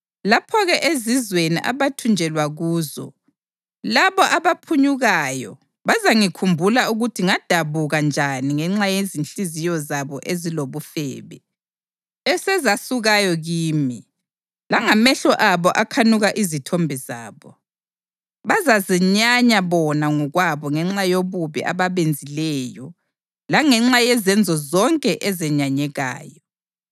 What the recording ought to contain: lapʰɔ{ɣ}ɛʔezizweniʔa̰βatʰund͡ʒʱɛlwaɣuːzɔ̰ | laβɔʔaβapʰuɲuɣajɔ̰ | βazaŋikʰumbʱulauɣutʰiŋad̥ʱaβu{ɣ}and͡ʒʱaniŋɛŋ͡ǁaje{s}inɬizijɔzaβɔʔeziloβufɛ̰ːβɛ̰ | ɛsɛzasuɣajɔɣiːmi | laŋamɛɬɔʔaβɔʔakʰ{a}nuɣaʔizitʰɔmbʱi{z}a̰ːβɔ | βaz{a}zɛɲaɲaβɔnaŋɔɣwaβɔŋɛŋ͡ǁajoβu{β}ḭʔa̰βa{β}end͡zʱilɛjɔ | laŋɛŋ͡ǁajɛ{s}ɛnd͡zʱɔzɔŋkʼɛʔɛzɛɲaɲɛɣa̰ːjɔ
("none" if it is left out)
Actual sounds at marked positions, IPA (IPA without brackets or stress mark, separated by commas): ɣ, ɣ, z, a, z, a, β, β, z